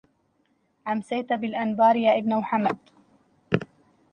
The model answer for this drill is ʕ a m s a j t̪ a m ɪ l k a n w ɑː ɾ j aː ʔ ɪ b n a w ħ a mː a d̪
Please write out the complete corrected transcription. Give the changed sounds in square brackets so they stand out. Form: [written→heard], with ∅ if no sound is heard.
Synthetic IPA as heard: ʕ a m s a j t̪ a [m→b] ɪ l [k→ʔ] a n [w→b] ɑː ɾ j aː ʔ ɪ b n a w ħ a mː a d̪